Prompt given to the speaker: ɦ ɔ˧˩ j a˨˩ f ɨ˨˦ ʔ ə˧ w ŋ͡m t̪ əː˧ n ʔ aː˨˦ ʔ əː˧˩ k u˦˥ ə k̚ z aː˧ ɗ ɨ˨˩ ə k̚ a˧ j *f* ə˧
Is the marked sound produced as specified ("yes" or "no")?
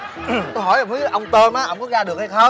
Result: no